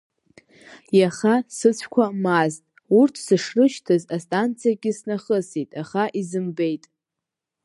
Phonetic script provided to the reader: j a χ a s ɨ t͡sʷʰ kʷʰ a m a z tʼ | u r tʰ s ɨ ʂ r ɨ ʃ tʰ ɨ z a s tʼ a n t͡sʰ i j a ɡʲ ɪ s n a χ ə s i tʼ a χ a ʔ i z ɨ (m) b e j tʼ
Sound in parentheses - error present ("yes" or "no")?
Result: no